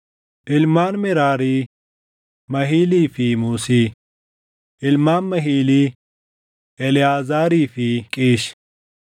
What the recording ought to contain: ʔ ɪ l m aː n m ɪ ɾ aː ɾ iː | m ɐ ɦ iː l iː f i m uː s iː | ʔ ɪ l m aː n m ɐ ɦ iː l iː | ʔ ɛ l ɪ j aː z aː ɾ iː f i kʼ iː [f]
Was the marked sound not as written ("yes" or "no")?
yes